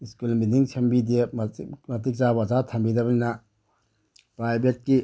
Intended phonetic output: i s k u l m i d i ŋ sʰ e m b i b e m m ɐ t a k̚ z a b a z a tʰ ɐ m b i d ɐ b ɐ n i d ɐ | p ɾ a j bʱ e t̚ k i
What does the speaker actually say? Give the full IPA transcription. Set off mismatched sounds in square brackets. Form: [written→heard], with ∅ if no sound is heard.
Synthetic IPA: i s k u l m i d i ŋ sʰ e m b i [b→d] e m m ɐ t [a→i] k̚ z a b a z a tʰ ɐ m b i d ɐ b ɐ n i [d→n] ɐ | p ɾ a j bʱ e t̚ k i